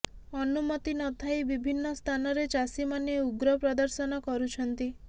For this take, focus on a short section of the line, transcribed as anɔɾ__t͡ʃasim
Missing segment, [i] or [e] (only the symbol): e